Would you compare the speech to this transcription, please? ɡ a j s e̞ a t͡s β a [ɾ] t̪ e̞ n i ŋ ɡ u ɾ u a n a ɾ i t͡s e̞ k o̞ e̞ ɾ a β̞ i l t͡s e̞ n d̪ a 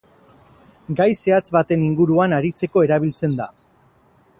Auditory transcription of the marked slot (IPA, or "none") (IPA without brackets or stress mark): none